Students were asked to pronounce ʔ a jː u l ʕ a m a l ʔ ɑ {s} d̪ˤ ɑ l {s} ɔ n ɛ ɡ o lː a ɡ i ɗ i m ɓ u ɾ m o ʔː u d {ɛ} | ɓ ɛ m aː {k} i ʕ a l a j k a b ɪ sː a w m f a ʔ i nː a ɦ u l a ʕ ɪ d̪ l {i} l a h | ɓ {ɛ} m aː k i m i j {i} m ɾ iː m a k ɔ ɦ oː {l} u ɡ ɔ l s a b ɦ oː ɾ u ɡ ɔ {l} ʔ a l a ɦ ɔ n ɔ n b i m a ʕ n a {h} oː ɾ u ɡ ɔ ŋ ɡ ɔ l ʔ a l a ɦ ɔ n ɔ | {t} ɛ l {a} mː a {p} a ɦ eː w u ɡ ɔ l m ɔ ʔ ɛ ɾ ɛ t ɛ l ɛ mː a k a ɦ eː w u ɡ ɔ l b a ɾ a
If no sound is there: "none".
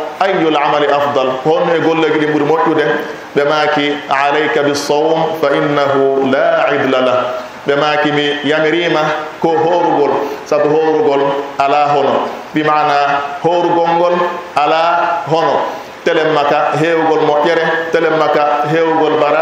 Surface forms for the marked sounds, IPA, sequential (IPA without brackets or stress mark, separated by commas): f, h, ɛ, k, a, ɛ, a, ɾ, l, h, t, ɛ, k